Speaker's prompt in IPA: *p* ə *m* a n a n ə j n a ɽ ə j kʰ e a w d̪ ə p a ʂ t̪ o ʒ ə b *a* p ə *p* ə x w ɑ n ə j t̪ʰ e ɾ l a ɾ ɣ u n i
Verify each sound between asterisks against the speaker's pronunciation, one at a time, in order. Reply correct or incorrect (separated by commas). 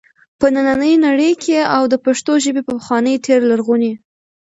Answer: correct, incorrect, incorrect, correct